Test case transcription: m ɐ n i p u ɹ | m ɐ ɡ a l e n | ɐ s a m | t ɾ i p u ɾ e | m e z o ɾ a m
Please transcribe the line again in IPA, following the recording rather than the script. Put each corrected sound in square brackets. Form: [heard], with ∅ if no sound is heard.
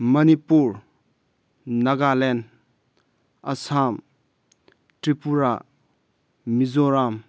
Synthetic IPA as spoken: m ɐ n i p u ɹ | [n] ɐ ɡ a l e n | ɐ s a m | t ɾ i p u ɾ [a] | m [i] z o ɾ a m